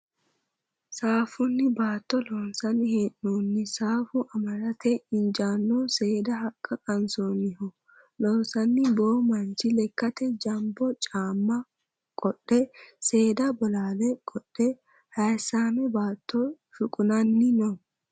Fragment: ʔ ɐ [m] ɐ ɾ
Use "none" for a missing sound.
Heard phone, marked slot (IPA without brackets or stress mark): m